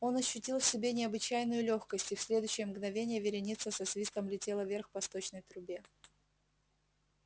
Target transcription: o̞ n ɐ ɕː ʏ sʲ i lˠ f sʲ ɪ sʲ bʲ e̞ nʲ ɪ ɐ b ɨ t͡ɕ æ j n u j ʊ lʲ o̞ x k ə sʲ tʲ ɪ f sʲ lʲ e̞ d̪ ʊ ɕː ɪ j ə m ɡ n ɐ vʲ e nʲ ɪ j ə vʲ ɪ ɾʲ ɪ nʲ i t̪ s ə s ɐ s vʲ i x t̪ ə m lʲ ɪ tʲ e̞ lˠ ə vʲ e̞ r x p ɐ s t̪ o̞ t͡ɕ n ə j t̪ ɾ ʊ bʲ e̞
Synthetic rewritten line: o̞ n ɐ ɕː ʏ tʲ i lˠ f sʲ ɪ bʲ e̞ nʲ ɪ ɐ b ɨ t͡ɕ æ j n ʊ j ʊ lʲ o̞ x k ə sʲ tʲ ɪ f sʲ lʲ e̞ d̪ ʊ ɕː ɪ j ə m ɡ n ɐ vʲ e nʲ ɪ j ə vʲ ɪ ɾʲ ɪ nʲ i t̪ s ə s ɐ s vʲ i s t̪ ə m lʲ ɪ tʲ e̞ lˠ ə vʲ e̞ r x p ɐ s t̪ o̞ t͡ɕ n ə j t̪ ɾ ʊ bʲ e̞